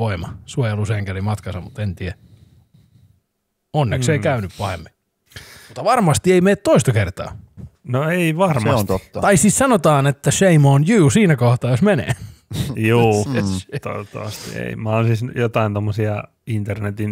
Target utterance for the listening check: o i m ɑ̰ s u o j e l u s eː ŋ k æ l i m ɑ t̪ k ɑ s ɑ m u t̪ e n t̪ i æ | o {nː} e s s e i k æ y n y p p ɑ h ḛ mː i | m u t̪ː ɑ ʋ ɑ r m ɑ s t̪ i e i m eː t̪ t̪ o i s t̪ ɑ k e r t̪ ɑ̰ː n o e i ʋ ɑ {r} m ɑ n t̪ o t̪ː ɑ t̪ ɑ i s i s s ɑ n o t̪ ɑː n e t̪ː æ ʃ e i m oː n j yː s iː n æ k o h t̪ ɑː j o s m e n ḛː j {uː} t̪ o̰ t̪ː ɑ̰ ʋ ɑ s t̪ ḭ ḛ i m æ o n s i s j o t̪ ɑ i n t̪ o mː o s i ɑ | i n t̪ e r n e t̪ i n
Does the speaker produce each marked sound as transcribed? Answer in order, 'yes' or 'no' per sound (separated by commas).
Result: yes, yes, yes